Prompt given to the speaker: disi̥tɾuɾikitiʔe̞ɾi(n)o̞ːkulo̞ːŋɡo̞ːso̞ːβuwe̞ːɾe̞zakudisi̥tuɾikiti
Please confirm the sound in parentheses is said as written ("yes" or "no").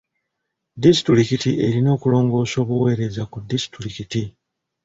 yes